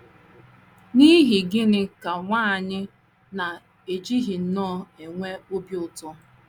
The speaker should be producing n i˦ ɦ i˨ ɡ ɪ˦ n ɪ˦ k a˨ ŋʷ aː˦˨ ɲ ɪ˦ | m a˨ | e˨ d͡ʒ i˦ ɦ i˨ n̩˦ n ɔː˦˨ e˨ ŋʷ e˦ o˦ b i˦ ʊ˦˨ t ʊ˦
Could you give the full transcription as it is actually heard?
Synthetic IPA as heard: n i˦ ɦ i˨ ɡ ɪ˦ n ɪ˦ k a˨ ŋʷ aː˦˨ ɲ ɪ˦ | n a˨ | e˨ d͡ʒ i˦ ɦ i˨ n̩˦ n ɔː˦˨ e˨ ŋʷ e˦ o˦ b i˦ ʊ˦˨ t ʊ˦